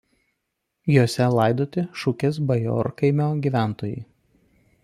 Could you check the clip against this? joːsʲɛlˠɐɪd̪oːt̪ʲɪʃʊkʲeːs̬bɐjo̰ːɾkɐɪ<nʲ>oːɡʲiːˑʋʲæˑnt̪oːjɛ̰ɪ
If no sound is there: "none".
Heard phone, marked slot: mʲ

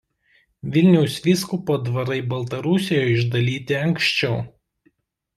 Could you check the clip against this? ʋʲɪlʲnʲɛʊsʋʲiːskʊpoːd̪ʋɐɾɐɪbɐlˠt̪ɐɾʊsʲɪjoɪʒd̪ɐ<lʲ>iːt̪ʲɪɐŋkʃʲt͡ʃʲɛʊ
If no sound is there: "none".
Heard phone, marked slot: lʲ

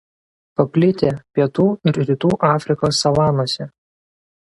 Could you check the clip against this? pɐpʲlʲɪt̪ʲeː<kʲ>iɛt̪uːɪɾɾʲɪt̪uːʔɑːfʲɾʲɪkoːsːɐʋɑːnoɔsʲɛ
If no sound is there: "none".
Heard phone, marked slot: pʲ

